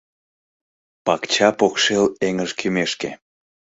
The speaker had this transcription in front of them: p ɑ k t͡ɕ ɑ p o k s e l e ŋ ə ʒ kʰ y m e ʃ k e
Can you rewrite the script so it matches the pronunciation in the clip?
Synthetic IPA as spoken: p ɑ k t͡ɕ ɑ p o k ʃ e l e ŋ ə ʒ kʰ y m e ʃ k e